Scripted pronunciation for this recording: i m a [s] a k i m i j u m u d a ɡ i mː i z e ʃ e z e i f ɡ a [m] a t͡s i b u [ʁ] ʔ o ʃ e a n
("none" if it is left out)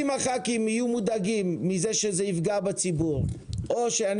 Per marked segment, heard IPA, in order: χ, b, ʁ

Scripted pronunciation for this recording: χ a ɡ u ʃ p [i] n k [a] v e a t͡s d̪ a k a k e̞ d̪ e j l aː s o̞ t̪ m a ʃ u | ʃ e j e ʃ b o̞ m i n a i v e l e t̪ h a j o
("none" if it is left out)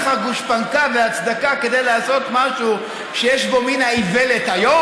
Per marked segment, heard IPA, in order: a, a

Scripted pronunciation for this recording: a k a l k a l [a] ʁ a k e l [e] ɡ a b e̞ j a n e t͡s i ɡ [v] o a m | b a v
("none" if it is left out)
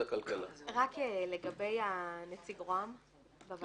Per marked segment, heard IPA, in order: a, e, ʁ

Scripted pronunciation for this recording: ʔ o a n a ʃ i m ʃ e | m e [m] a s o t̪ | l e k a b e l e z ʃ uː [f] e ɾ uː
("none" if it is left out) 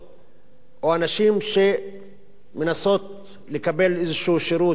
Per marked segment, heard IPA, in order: n, ʃ

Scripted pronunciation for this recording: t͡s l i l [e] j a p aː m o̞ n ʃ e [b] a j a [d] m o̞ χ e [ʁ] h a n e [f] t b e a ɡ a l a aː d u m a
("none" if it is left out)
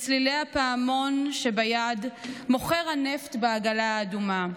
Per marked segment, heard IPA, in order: e, b, d, ʁ, f

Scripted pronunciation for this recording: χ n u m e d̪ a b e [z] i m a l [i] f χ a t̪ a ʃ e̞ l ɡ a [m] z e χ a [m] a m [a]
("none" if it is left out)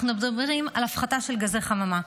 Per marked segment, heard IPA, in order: ʁ, a, none, m, a

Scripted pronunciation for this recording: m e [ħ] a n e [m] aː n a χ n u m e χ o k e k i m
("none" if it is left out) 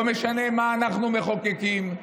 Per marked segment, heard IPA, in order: ʃ, m

